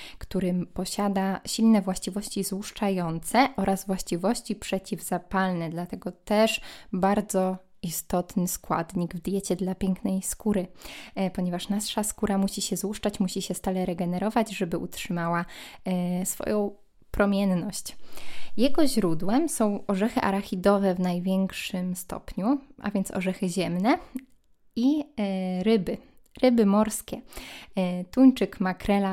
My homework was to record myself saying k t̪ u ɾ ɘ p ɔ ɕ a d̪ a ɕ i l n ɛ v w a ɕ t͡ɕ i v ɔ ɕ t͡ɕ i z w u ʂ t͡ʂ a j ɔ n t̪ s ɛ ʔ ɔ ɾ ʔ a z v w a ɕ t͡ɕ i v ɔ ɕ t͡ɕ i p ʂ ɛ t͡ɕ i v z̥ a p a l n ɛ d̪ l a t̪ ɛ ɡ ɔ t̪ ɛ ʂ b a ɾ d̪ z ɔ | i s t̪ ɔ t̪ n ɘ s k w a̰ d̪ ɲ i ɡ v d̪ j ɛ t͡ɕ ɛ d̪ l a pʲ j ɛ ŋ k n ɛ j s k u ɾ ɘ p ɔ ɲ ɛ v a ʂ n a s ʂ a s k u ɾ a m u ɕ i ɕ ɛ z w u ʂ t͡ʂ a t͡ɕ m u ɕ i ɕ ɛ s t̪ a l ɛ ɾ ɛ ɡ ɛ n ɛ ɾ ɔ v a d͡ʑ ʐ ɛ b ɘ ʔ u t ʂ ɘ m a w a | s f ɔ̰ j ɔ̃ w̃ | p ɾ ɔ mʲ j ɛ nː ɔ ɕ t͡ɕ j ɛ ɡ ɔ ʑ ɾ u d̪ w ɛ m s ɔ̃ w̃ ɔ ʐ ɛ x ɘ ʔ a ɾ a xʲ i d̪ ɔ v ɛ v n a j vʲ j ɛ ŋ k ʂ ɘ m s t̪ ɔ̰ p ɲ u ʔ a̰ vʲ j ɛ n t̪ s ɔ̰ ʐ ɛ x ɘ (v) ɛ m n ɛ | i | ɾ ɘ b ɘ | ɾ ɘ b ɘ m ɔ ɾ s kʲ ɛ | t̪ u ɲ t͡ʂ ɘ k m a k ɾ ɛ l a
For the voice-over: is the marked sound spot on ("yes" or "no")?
no